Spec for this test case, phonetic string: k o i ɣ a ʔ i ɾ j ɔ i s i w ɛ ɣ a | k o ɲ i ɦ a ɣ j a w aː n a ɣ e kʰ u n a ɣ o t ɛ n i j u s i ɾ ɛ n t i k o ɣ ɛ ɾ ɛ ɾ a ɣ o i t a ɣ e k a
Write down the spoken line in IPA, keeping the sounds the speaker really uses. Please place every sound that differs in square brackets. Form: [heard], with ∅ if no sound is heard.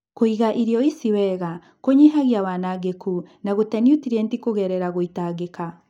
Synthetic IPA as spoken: k o i ɣ a ʔ i ɾ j ɔ i s i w ɛ ɣ a | k o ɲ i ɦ a ɣ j a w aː n a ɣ e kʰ u n a ɣ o t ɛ n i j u [t] i ɾ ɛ n t i k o ɣ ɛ ɾ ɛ ɾ a ɣ o i t a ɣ e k a